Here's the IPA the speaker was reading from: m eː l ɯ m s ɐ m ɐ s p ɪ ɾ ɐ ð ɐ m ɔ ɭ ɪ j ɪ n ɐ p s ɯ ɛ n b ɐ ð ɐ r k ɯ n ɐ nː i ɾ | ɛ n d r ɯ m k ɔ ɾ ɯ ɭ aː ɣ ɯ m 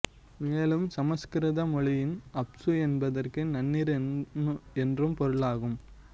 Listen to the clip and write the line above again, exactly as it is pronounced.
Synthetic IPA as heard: m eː l ɯ m s ɐ m ɐ s k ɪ ɾ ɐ ð ɐ m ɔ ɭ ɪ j ɪ n ɐ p s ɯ ɛ n b ɐ ð ɐ r k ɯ n ɐ nː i ɾ | ɛ n d r ɯ m p ɔ ɾ ɯ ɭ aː ɣ ɯ m